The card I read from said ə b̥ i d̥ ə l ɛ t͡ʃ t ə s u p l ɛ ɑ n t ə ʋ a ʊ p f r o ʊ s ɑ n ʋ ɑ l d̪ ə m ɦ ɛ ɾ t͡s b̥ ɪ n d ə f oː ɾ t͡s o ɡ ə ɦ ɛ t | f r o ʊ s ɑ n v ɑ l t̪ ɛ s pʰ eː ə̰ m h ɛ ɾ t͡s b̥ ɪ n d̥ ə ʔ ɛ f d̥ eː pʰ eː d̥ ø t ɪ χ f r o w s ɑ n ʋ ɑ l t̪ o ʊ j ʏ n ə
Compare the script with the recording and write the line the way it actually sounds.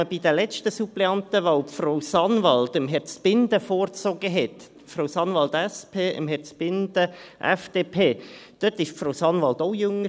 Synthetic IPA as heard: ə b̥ i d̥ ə l ɛ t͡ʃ t ə s u p l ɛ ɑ n t ə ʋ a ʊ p f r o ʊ s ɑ n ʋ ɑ l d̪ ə m ɦ ɛ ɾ t͡s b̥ ɪ n d ə f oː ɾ t͡s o ɡ ə ɦ ɛ t | f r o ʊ s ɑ n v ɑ l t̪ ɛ s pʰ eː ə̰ m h ɛ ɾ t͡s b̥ ɪ n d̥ ə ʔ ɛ f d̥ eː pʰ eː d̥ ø t ɪ ʃ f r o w s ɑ n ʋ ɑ l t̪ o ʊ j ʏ ŋ ə